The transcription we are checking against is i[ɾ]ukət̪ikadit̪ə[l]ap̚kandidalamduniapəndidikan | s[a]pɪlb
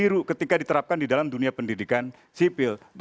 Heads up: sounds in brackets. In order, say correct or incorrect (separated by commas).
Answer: correct, incorrect, incorrect